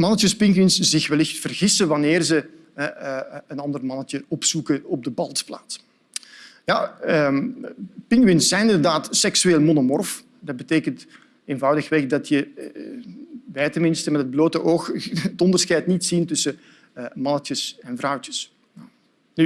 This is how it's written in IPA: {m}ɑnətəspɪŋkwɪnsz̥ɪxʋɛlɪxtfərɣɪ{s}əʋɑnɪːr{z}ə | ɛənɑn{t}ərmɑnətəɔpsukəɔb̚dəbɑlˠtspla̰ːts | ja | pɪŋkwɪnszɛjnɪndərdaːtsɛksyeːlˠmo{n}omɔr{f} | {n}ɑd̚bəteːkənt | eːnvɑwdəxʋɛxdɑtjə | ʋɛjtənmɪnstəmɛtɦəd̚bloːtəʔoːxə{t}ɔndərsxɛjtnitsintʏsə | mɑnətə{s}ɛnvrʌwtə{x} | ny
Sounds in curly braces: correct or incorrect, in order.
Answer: correct, correct, correct, incorrect: d, correct, correct, incorrect: d, correct, correct, incorrect: s

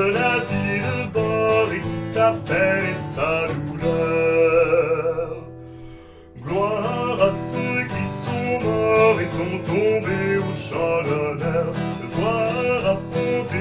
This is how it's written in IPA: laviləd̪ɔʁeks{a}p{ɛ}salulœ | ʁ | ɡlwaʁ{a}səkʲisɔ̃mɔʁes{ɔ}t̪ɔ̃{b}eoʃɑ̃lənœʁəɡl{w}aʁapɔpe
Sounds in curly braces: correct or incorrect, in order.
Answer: correct, correct, correct, incorrect: ɔ̃, correct, correct

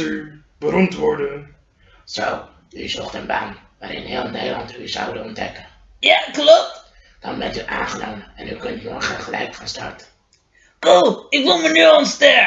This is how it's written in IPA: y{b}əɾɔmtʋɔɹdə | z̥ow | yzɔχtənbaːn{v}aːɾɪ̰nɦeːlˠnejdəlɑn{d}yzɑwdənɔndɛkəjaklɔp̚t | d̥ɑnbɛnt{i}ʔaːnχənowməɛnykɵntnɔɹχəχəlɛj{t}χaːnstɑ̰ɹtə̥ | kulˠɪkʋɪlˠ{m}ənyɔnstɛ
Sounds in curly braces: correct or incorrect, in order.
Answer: correct, incorrect: ʋ, incorrect: t, incorrect: y, incorrect: k, correct

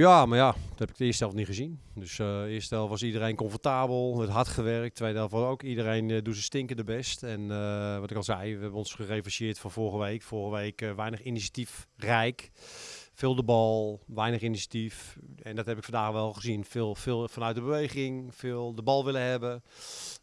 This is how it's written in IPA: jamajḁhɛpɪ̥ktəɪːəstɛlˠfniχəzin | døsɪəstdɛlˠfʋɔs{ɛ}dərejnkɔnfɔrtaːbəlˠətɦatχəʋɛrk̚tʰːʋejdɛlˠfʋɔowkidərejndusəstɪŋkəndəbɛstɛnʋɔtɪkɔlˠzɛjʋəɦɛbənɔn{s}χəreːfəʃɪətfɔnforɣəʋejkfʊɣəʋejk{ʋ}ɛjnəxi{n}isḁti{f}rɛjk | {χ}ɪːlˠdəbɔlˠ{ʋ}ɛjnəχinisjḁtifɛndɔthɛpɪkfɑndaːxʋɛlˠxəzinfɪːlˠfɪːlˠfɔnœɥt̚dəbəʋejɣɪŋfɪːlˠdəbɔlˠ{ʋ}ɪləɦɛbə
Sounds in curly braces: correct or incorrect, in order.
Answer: incorrect: i, correct, correct, correct, correct, incorrect: f, correct, correct

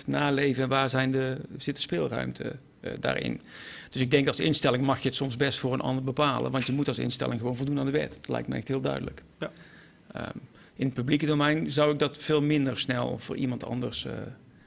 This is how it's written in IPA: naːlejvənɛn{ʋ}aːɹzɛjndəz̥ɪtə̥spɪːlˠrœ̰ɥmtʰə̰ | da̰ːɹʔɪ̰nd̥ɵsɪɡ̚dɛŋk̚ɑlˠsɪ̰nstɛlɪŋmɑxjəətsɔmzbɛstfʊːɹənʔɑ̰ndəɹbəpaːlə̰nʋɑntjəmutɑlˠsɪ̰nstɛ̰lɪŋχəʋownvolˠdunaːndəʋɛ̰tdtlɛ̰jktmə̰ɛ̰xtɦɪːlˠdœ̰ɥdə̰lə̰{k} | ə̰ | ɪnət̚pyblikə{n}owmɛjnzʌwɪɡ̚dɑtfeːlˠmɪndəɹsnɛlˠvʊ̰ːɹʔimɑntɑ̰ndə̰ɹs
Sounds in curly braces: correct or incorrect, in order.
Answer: correct, correct, incorrect: d

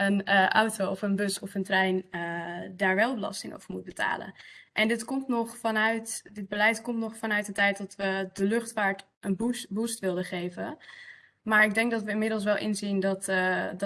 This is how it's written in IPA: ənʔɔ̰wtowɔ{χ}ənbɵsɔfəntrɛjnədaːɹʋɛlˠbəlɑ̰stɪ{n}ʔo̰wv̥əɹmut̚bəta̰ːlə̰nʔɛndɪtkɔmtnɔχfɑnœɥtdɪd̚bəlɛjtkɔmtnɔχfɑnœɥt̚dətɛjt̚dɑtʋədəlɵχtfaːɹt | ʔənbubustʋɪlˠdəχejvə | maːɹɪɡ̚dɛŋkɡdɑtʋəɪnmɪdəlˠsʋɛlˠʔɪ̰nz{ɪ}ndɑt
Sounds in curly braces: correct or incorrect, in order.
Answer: incorrect: f, incorrect: ŋ, incorrect: i

